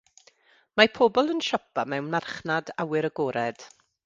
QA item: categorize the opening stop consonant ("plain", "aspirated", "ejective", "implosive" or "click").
aspirated